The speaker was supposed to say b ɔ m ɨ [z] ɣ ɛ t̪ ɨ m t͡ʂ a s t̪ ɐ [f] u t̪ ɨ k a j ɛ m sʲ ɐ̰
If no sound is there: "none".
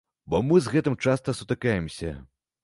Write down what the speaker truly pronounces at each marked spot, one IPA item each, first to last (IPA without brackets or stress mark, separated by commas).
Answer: z, s